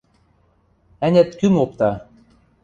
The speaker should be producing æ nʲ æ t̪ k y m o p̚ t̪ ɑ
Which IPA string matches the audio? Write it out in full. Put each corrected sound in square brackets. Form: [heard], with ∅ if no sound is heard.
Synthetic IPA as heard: æ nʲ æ t̪ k y m o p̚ t̪ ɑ